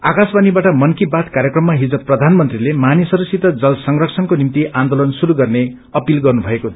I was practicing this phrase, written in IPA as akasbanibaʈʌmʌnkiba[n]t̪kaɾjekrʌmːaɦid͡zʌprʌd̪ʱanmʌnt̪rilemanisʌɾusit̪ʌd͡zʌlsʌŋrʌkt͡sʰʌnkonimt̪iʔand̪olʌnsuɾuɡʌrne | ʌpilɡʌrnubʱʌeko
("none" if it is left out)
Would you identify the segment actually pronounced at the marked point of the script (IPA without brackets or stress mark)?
none